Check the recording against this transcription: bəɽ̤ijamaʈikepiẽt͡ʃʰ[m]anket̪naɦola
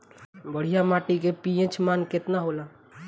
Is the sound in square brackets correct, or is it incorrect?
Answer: correct